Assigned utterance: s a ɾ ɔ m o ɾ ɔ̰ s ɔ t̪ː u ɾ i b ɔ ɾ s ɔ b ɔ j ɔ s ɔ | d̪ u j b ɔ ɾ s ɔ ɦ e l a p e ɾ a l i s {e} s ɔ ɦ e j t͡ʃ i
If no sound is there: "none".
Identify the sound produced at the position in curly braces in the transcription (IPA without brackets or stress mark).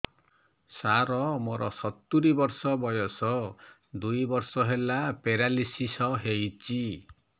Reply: i